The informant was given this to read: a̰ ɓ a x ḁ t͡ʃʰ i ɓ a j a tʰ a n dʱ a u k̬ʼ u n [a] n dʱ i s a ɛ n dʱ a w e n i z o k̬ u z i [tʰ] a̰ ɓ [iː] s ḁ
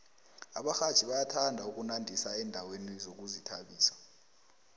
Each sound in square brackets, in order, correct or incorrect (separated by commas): correct, correct, correct